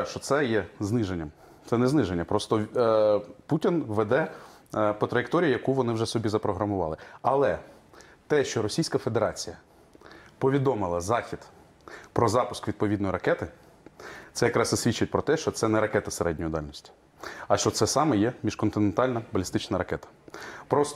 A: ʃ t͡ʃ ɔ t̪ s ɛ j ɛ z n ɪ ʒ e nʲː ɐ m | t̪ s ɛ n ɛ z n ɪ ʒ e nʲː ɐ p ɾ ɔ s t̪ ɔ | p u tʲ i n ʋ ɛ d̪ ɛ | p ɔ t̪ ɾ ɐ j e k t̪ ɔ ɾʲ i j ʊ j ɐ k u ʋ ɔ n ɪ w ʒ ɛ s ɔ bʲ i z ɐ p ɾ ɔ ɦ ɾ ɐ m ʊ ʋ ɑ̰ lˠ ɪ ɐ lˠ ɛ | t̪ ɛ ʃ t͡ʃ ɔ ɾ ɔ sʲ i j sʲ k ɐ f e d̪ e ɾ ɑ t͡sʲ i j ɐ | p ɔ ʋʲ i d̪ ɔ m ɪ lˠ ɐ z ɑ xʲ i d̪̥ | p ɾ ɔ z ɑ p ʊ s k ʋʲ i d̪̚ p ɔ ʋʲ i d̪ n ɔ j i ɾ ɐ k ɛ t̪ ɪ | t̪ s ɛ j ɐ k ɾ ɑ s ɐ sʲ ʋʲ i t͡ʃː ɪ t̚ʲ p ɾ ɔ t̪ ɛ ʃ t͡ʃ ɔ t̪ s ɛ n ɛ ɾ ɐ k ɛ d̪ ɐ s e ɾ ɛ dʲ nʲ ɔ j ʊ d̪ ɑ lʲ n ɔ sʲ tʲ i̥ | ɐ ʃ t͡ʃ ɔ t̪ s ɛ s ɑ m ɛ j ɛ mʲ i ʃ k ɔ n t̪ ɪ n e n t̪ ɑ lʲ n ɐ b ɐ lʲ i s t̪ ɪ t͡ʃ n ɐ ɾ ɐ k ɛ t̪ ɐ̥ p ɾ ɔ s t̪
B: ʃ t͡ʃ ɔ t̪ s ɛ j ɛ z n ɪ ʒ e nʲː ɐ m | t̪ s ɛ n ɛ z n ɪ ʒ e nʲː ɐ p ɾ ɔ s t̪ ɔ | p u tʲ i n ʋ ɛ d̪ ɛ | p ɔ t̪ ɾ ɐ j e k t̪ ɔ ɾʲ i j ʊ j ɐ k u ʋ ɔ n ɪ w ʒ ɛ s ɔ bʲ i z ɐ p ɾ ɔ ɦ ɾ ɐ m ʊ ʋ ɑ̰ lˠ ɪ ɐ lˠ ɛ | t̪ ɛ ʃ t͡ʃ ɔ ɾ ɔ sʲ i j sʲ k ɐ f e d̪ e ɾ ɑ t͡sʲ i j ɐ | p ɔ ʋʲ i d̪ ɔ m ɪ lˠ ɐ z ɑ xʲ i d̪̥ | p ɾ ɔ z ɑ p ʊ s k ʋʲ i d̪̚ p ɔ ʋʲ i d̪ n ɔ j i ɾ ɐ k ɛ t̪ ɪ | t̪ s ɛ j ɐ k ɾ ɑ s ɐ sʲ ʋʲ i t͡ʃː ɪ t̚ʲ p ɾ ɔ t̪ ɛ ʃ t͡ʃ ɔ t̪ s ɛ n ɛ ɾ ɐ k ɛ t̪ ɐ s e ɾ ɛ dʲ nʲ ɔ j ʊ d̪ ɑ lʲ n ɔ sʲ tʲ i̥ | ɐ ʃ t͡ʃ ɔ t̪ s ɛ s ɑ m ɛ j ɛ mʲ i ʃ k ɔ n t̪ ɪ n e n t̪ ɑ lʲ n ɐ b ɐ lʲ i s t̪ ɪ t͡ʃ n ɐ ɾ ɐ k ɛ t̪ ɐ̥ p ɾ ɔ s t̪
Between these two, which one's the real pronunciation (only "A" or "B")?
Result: B